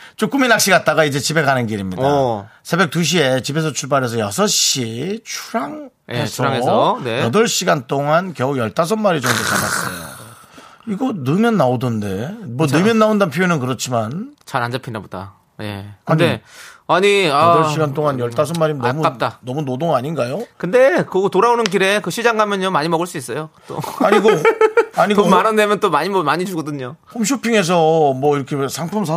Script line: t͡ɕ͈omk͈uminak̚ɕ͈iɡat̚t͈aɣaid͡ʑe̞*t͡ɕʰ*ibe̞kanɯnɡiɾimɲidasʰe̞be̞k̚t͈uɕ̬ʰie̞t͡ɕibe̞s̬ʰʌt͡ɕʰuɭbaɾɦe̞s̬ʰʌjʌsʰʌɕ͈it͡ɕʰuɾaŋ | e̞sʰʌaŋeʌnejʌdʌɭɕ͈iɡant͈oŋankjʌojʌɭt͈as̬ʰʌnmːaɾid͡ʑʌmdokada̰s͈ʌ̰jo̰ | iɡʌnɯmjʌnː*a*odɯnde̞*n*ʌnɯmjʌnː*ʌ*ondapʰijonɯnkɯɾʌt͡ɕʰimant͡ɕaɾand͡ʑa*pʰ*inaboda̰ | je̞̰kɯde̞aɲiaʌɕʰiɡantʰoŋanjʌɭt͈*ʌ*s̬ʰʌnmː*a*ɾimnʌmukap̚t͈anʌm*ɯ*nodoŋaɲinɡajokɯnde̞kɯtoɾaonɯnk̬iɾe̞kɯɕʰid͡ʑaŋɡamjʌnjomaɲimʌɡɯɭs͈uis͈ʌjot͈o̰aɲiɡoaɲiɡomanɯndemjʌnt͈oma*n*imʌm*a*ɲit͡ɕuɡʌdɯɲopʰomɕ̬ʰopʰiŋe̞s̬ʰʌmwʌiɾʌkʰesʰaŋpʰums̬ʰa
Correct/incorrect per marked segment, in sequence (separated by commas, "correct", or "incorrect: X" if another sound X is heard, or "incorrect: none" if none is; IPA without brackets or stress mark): incorrect: t͡ɕ, correct, incorrect: m, incorrect: a, correct, incorrect: a, correct, incorrect: u, incorrect: ɲ, correct